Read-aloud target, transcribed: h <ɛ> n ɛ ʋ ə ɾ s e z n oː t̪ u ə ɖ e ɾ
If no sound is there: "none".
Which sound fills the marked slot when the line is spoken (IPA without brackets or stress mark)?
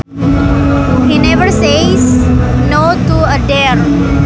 i